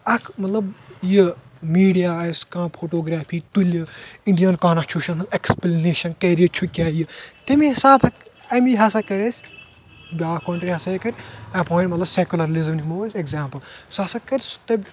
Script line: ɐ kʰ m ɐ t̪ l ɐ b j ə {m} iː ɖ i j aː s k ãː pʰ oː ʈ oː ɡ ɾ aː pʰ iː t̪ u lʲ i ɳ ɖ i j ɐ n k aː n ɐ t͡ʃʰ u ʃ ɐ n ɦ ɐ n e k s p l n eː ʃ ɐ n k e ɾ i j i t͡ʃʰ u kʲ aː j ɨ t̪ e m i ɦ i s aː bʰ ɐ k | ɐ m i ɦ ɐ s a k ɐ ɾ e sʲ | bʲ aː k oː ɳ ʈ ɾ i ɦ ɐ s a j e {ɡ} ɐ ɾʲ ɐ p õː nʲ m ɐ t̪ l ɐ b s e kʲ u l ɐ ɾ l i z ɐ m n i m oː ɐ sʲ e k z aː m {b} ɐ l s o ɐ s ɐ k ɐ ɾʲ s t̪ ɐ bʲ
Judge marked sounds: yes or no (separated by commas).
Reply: yes, no, no